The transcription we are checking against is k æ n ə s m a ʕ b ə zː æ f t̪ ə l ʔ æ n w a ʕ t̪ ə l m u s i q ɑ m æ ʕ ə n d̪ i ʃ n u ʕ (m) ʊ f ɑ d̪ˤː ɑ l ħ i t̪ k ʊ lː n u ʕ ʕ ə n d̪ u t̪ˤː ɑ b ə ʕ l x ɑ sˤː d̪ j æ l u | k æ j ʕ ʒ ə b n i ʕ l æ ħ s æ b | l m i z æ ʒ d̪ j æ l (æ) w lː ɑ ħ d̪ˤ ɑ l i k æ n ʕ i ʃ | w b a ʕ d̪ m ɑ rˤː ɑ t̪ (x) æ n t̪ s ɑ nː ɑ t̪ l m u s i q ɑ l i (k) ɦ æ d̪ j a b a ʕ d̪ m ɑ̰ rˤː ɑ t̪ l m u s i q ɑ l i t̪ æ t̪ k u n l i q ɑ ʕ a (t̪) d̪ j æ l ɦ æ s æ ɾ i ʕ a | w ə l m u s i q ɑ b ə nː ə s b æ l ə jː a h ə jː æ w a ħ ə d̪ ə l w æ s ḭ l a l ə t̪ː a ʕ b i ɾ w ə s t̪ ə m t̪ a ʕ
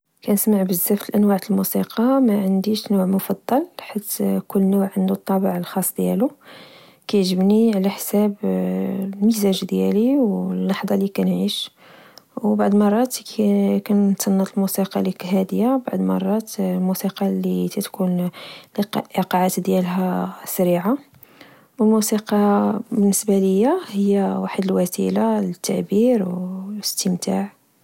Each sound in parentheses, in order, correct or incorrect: correct, incorrect, incorrect, correct, correct

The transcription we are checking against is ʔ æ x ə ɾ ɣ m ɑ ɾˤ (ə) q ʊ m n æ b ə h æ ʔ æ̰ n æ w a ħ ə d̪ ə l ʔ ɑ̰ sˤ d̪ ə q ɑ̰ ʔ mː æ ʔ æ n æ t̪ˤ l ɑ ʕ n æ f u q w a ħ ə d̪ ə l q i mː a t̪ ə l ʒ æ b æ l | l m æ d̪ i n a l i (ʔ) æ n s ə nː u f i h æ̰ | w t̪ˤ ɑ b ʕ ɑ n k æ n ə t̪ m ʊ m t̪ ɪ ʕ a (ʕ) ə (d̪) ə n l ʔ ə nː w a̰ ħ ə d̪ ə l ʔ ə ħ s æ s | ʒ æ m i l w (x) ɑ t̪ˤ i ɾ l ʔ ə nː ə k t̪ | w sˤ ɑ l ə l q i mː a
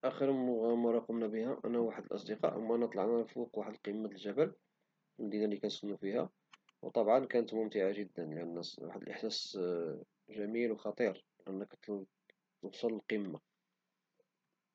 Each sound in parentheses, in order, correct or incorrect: incorrect, incorrect, incorrect, incorrect, correct

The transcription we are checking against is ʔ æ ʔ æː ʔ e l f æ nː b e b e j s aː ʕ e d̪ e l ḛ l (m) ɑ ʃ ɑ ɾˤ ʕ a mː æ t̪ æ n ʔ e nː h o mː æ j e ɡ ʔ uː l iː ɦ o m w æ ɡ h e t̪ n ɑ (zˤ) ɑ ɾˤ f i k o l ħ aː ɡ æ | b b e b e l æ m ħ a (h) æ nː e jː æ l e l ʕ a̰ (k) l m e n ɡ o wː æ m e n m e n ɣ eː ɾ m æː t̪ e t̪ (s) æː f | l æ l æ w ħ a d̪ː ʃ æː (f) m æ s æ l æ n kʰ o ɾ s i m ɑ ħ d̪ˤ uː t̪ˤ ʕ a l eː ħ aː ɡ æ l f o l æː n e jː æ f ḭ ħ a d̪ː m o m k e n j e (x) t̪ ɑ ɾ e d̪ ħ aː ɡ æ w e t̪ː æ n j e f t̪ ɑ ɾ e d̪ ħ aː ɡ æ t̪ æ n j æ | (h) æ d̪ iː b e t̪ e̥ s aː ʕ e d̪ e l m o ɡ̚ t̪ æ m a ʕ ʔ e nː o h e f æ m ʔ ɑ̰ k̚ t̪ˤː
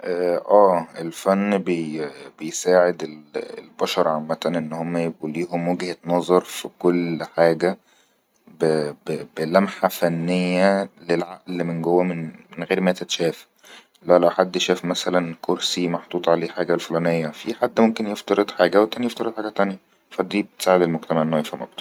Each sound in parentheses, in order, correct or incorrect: incorrect, correct, incorrect, incorrect, incorrect, correct, incorrect, incorrect

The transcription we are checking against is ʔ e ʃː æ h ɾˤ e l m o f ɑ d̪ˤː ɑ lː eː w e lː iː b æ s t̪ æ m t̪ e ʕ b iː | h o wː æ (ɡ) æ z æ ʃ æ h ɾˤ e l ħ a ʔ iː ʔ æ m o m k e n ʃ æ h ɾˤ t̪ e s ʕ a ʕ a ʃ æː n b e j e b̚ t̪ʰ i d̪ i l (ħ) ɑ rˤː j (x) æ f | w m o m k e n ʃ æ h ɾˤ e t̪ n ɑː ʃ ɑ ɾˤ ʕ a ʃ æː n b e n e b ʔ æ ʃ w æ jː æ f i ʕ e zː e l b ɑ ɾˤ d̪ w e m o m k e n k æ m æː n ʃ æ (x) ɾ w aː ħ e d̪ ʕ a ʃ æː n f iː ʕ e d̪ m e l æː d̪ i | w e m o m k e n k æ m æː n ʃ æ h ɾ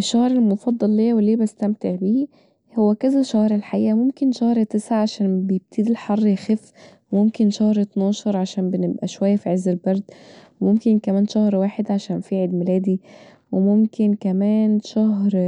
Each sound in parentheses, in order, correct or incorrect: incorrect, correct, correct, incorrect

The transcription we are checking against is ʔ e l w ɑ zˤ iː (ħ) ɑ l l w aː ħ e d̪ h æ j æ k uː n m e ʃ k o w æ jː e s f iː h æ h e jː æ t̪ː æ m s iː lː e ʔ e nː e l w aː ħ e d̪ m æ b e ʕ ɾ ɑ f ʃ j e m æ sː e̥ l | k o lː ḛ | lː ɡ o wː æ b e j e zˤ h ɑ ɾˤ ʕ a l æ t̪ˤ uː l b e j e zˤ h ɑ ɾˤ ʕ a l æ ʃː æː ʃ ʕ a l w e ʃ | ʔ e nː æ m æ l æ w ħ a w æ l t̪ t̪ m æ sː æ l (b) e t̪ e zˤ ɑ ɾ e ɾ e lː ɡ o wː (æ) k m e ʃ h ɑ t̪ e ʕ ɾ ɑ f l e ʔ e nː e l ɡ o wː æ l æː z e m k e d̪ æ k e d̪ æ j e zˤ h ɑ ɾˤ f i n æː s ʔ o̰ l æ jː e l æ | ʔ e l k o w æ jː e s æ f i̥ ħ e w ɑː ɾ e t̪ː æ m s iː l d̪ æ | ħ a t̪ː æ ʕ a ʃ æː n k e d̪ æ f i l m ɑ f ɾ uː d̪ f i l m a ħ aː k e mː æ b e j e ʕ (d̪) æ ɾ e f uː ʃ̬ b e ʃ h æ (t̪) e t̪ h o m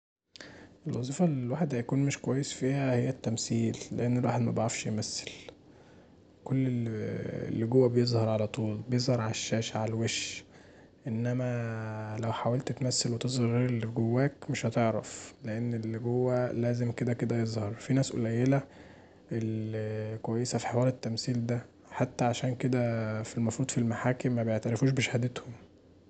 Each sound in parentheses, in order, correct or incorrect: incorrect, incorrect, incorrect, incorrect, incorrect

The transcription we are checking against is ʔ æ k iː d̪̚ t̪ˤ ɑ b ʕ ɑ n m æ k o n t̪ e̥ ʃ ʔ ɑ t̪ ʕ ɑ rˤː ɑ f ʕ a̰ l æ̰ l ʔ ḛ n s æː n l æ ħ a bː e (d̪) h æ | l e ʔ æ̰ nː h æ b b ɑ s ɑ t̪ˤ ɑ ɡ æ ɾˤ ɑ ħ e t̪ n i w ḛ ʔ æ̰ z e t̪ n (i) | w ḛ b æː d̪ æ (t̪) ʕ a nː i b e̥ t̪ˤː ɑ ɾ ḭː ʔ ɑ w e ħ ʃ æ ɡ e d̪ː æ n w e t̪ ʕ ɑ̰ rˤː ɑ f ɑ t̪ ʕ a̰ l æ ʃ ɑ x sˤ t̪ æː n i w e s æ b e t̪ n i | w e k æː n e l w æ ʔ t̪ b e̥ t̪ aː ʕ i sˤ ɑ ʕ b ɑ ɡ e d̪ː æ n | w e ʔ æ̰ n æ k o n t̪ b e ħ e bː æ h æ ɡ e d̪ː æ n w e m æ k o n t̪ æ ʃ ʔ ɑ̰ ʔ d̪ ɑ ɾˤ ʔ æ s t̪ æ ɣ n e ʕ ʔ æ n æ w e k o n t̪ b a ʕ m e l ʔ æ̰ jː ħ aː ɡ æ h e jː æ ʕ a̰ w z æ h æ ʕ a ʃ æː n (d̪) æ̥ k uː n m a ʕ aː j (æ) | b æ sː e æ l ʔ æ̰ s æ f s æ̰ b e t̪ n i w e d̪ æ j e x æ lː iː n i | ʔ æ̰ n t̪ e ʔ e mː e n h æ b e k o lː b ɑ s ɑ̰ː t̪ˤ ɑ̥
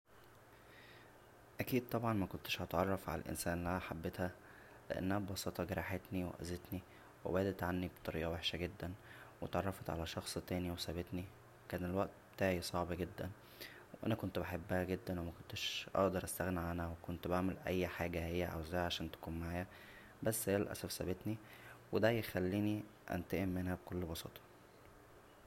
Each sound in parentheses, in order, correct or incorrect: incorrect, correct, correct, incorrect, correct

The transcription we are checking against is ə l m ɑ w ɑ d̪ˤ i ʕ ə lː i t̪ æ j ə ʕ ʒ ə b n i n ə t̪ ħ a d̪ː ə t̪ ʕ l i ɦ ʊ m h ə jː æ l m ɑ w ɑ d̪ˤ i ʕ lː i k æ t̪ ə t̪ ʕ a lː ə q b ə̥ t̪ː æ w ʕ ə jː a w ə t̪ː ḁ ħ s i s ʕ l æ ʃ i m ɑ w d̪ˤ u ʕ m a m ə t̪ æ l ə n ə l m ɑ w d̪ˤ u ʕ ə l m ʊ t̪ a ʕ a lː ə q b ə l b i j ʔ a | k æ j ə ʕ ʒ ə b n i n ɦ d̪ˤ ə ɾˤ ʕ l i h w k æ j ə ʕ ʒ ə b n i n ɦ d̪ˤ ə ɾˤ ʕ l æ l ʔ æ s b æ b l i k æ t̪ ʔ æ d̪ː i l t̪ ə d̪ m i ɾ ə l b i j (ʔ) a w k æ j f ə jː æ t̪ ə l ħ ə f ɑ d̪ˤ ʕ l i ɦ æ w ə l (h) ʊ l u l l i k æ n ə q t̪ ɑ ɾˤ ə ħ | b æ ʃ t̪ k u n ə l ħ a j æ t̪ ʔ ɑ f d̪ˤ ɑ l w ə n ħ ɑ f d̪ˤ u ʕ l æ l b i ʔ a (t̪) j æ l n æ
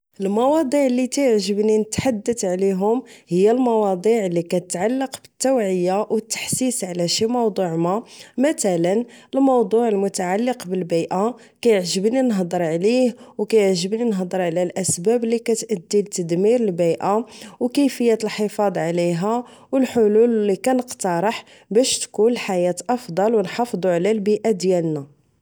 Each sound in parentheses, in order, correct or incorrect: correct, incorrect, incorrect

